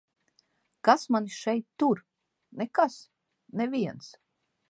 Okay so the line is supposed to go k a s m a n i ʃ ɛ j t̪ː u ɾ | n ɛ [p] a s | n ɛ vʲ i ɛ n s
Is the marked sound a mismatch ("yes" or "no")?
yes